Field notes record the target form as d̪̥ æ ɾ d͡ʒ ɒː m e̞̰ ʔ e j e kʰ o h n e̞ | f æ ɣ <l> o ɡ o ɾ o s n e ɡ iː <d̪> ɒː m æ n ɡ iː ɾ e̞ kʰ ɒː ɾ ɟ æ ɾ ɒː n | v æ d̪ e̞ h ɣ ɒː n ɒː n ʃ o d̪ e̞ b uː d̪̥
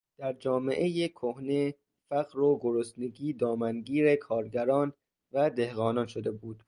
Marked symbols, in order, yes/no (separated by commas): no, yes